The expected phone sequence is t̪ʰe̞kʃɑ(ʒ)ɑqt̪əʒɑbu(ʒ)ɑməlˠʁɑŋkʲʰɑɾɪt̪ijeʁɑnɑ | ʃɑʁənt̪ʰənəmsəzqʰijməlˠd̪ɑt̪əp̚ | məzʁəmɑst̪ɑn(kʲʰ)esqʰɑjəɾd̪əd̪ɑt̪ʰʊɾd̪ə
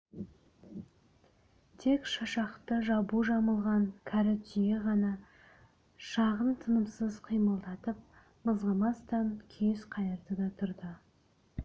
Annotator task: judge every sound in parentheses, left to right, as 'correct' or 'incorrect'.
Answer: incorrect, correct, correct

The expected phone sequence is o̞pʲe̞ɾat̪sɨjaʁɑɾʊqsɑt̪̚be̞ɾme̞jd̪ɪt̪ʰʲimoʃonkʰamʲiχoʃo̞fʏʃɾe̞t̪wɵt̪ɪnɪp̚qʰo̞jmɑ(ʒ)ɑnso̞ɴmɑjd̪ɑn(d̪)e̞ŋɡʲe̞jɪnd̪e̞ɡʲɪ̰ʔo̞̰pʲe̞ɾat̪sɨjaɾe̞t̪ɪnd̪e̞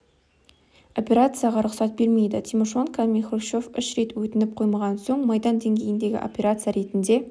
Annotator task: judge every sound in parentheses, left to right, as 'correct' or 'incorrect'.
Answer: incorrect, correct

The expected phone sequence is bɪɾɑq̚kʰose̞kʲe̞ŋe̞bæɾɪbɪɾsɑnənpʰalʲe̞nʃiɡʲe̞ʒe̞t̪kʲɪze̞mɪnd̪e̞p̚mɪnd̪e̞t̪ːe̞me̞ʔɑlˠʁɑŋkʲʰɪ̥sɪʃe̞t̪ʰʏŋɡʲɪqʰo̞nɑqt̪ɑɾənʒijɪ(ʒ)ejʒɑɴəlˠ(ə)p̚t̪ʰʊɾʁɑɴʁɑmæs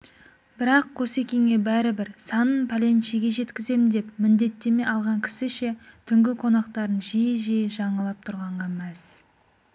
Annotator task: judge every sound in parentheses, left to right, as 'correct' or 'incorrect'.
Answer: correct, incorrect

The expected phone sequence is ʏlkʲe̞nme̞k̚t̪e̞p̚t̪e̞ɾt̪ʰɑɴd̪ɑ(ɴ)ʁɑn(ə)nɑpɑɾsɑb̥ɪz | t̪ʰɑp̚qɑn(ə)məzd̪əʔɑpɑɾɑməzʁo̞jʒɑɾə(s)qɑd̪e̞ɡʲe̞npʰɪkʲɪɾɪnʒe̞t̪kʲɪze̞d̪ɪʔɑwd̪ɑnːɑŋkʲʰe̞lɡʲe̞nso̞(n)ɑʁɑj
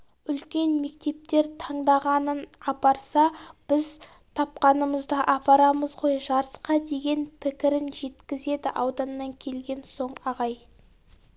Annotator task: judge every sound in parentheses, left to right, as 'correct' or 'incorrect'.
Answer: incorrect, correct, correct, correct, incorrect

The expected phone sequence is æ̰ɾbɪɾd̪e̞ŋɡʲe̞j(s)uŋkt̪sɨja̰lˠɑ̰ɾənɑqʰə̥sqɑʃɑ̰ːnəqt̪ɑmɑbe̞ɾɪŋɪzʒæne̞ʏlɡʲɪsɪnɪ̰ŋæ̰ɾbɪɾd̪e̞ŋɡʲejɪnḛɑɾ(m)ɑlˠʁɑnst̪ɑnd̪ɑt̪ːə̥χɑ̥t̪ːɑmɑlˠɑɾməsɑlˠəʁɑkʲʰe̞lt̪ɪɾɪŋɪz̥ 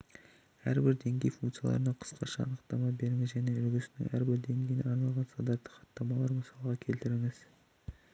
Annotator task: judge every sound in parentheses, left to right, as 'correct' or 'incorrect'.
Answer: incorrect, incorrect

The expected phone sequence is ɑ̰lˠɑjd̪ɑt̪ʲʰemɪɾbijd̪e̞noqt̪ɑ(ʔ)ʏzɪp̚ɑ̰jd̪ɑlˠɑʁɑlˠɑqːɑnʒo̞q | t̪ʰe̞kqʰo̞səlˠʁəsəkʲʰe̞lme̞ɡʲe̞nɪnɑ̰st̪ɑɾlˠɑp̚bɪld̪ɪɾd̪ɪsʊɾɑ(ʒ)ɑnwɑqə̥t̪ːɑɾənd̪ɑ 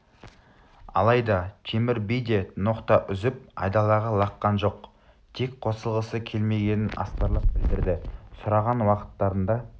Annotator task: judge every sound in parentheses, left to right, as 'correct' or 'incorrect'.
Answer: correct, incorrect

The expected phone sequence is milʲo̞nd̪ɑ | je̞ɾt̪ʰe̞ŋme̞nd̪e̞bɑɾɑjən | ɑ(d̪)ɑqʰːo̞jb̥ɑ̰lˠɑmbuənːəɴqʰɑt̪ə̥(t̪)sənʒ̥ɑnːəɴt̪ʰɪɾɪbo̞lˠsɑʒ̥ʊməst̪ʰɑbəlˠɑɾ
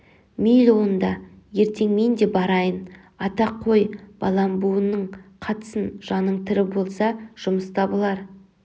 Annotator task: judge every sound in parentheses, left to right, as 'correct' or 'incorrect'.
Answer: incorrect, incorrect

